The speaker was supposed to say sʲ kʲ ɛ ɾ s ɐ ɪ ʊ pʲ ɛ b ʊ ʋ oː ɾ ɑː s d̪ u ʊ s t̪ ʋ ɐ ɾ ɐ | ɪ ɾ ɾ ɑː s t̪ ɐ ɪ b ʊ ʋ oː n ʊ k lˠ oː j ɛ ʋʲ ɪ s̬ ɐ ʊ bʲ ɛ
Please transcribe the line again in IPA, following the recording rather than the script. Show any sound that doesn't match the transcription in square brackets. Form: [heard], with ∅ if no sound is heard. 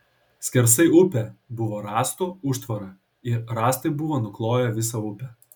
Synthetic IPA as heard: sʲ kʲ ɛ ɾ s ɐ ɪ ʊ pʲ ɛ b ʊ ʋ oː ɾ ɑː s [t̪] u ʊ [ʃ] t̪ ʋ ɐ ɾ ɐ | ɪ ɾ ɾ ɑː s t̪ ɐ ɪ b ʊ ʋ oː n ʊ k lˠ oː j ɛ ʋʲ ɪ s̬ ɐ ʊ [pʲ] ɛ